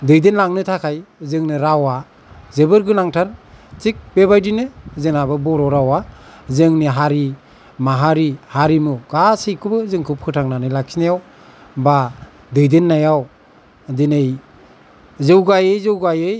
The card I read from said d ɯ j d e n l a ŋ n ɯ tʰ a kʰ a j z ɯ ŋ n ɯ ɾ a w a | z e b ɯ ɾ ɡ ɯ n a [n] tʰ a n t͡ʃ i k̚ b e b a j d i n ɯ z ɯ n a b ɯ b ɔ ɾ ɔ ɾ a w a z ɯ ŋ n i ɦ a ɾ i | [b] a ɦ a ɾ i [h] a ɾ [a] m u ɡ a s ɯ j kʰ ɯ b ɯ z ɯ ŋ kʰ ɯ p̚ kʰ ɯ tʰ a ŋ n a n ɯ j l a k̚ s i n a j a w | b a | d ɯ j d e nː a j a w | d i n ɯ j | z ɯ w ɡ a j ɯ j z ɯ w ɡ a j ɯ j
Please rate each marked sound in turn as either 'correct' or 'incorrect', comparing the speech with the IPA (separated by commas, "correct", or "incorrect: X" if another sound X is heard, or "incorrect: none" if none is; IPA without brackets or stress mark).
incorrect: ŋ, incorrect: m, correct, incorrect: i